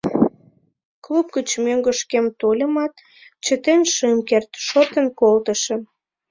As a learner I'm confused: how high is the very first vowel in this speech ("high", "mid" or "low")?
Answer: high